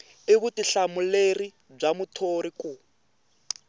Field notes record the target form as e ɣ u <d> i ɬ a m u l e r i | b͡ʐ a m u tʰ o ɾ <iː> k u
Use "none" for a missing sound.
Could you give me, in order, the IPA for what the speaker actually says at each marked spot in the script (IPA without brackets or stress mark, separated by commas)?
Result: t, i